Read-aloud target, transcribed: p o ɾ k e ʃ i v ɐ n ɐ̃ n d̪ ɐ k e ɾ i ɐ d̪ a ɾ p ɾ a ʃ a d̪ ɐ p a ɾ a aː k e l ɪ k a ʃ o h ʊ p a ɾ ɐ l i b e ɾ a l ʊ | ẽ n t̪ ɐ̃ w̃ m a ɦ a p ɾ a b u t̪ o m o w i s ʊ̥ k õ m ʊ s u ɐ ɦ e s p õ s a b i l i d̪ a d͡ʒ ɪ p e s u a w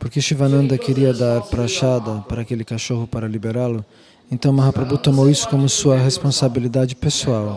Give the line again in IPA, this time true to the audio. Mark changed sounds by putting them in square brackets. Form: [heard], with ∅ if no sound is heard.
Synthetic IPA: p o ɾ k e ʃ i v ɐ n ɐ̃ n d̪ ɐ k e ɾ i ɐ d̪ a ɾ p ɾ a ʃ a d̪ ɐ p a ɾ [ɐ] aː k e l ɪ k a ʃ o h ʊ p a ɾ ɐ l i b e ɾ a l ʊ | ẽ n t̪ ɐ̃ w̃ m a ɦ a p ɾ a b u t̪ o m o w i s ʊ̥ k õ m ʊ s u ɐ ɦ e s p õ s a b i l i d̪ a d͡ʒ ɪ p e s u a w